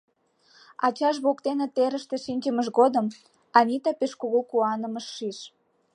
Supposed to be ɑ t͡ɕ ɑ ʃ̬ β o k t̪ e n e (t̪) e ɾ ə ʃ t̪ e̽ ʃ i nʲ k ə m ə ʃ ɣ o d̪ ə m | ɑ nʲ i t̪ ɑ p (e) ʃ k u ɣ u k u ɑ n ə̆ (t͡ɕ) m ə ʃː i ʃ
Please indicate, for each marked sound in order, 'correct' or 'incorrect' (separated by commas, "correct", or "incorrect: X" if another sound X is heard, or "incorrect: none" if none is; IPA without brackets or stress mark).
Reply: correct, correct, incorrect: none